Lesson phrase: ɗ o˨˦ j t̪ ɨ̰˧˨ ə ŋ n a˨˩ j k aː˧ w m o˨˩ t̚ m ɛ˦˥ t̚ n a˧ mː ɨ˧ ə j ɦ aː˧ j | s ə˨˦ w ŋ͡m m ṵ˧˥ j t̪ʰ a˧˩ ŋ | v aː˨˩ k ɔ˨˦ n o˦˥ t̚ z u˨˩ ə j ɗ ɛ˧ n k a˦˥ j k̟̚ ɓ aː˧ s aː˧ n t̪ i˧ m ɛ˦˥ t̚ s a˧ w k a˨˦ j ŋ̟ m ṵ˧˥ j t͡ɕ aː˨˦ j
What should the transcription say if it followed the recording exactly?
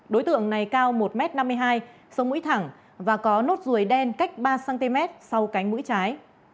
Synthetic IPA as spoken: ɗ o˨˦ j t̪ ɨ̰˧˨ ə ŋ n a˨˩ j k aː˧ w m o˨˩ t̚ m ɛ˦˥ t̚ n a˧ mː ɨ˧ ə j ɦ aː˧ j | s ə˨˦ w ŋ͡m m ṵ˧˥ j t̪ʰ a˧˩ ŋ | v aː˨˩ k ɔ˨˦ n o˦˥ t̚ z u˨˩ ə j ɗ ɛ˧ n k a˦˥ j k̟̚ ɓ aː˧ s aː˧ n t̪ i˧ m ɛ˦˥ t̚ s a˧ w k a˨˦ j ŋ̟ m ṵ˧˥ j t͡ɕ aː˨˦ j